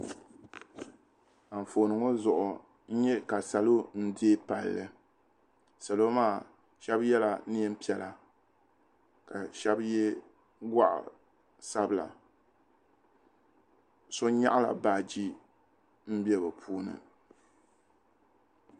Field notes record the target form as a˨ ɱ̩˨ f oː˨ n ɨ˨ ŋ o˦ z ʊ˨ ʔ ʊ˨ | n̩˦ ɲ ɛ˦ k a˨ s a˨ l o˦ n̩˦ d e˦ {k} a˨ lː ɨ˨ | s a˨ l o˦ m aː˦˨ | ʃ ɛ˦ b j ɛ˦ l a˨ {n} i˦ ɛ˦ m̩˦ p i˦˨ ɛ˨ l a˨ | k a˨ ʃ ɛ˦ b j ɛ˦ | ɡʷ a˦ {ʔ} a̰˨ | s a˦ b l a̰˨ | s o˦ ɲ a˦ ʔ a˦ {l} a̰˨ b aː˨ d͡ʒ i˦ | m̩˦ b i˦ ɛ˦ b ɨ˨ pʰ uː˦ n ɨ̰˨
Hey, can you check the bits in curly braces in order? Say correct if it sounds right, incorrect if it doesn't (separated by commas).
incorrect, correct, correct, correct